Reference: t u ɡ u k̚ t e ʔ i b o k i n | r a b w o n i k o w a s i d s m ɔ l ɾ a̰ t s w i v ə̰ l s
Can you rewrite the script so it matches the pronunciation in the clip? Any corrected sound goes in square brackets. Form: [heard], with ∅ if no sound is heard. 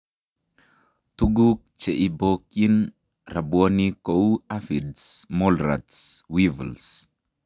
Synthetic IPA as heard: t u ɡ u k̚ [t͡ʃ] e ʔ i b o k i n | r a b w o n i k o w a [f] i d s m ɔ l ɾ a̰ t s w i v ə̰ l s